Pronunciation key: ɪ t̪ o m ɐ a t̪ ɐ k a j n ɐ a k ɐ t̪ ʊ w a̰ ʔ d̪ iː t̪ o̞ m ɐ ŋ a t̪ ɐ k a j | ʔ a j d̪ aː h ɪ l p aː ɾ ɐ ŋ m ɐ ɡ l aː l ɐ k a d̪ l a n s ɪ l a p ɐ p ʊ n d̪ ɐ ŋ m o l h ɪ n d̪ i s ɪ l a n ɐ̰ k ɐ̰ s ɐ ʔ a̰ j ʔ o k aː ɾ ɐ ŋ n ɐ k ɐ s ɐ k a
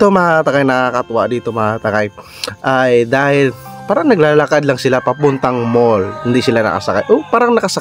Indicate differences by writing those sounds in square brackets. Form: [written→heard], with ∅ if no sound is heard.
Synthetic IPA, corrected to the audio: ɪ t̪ o m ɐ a t̪ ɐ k a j n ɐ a k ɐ t̪ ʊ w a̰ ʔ d̪ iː t̪ o̞ m ɐ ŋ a t̪ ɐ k a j | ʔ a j d̪ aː h ɪ l p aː ɾ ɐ ŋ [m→n] ɐ ɡ l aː l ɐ k a d̪ l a [n→ŋ] s ɪ l a p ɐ p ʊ n [d̪→t̪] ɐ ŋ m o l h ɪ n d̪ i s ɪ l a n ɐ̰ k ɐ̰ s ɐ [ʔ→k] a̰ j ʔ o [k→p] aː ɾ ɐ ŋ n ɐ k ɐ s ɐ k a